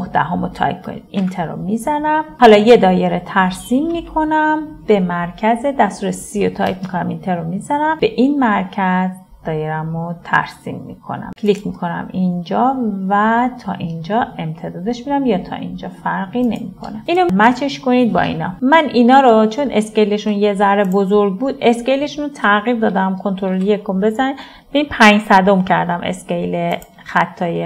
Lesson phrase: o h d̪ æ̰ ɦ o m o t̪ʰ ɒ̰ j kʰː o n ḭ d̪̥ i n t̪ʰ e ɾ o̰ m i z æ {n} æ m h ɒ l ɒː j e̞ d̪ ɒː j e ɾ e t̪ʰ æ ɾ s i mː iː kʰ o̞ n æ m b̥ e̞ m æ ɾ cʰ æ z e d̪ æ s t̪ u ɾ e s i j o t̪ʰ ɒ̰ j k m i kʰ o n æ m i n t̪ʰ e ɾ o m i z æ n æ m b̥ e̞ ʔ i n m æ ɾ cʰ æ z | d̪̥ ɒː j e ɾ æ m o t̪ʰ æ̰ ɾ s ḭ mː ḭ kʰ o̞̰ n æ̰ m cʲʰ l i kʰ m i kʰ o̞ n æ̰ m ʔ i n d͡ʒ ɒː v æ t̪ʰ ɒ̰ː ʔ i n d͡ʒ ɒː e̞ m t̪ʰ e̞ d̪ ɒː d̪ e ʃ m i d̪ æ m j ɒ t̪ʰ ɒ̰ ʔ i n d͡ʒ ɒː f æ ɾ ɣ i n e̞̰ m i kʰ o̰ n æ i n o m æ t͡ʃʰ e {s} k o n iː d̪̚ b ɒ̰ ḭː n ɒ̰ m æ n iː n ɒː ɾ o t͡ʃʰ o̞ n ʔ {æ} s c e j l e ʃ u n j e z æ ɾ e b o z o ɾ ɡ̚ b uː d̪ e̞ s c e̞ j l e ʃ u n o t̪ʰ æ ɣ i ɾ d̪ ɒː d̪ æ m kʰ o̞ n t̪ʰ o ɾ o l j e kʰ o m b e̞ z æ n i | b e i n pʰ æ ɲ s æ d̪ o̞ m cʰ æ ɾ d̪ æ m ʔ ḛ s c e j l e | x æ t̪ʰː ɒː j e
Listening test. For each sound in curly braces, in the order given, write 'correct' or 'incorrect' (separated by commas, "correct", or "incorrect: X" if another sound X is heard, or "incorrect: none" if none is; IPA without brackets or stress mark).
correct, incorrect: ʃ, incorrect: e